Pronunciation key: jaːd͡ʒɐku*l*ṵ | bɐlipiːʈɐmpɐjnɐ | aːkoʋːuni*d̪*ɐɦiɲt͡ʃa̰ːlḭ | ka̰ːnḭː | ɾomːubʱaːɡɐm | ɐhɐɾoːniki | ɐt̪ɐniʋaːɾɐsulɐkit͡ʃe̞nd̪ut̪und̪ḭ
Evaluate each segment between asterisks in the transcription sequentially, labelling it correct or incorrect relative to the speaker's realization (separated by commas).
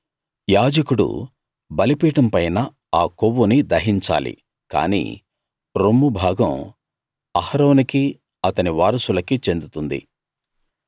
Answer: incorrect, correct